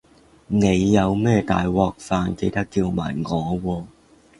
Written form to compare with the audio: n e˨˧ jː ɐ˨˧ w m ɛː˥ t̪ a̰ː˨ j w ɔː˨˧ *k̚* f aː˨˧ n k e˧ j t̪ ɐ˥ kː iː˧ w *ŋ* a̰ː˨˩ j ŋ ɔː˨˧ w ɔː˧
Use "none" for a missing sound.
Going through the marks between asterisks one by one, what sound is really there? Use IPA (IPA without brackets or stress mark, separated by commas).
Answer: k̚, m